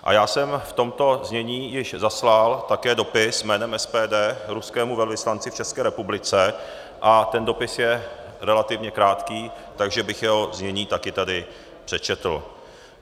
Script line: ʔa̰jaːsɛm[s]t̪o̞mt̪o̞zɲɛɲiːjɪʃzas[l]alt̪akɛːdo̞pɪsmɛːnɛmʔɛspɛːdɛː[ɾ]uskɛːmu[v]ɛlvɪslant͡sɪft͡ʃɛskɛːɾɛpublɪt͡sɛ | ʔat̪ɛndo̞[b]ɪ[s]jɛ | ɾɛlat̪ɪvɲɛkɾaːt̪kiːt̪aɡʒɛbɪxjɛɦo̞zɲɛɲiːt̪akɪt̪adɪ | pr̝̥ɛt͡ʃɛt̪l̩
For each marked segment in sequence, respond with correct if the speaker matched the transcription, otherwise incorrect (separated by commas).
incorrect, correct, correct, correct, incorrect, correct